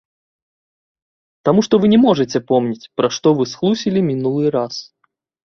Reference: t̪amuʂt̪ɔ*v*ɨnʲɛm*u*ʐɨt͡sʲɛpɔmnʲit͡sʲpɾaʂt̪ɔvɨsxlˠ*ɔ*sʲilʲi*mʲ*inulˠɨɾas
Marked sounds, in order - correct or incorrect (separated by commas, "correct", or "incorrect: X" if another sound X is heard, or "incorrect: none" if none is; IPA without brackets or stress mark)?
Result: correct, incorrect: ɔ, incorrect: u, correct